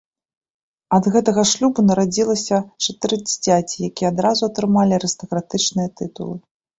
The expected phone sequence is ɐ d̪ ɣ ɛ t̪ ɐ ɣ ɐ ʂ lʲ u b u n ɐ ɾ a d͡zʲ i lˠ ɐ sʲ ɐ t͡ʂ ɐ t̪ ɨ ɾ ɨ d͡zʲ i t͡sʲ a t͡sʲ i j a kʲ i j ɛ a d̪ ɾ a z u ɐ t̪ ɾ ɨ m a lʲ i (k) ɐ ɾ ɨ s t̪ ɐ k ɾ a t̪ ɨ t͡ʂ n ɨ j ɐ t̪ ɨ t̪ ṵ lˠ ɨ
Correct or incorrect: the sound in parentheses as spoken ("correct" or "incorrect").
incorrect